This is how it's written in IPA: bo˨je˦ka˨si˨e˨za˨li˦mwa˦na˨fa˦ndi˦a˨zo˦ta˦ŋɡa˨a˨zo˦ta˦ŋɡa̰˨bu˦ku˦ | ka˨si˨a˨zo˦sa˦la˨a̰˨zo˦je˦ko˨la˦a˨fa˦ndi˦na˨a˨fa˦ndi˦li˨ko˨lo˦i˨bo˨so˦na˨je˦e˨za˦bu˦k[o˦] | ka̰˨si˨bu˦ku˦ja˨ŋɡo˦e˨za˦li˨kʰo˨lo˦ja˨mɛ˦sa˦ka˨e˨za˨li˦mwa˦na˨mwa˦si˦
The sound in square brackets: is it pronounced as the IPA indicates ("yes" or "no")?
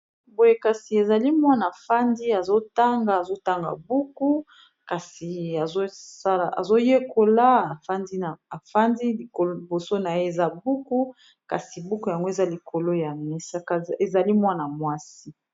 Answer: no